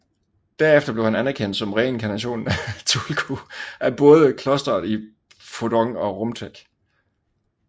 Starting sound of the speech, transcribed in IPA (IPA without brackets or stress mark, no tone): d̥